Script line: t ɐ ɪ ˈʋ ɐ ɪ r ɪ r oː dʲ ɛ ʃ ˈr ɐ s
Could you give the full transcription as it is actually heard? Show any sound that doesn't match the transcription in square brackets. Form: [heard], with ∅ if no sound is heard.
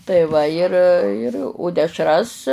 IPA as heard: t ɐ ɪ ˈʋ ɐ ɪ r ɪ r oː dʲ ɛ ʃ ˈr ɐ s